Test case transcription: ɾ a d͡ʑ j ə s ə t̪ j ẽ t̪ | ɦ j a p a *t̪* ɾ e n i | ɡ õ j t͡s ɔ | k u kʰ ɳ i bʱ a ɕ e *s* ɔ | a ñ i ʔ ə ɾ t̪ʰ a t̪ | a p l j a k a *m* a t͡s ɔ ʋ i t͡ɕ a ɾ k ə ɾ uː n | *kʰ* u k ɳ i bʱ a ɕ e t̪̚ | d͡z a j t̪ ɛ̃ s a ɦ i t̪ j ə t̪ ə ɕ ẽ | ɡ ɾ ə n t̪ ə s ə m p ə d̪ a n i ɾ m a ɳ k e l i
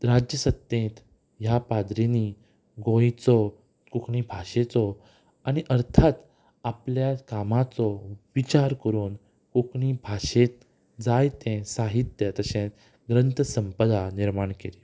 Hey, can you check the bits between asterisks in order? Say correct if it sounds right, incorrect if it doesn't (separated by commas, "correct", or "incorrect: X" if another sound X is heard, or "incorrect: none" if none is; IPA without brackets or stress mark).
incorrect: d̪, incorrect: t͡s, correct, incorrect: k